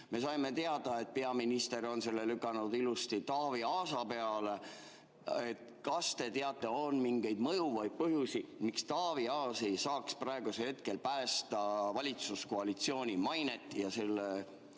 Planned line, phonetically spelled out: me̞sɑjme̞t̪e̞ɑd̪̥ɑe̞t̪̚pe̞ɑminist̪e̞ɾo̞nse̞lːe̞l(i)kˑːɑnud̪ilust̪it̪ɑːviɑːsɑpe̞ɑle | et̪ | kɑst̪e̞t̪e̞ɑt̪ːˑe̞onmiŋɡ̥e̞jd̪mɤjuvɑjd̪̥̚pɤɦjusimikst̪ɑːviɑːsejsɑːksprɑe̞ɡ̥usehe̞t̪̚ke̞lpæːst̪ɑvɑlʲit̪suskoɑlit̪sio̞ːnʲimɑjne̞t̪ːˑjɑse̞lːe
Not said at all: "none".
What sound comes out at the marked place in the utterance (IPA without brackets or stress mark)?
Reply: y